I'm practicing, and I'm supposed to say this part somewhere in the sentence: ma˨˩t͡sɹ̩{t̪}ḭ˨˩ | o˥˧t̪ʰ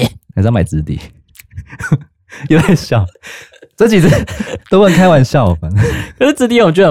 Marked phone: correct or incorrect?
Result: correct